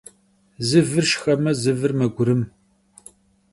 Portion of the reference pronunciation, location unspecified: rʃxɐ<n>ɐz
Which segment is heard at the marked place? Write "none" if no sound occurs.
m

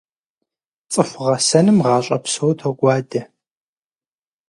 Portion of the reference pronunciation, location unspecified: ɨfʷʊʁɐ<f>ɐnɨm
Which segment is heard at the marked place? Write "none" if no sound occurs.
s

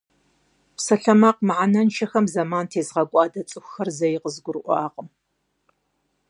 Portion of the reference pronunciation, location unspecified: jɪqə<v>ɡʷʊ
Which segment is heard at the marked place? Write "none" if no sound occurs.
z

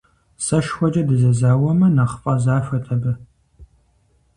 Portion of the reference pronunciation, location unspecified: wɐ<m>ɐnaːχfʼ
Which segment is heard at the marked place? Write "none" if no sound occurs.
m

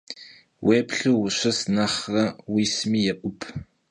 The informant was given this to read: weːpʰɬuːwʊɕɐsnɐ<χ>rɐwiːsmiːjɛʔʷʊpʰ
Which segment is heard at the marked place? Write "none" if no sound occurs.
χ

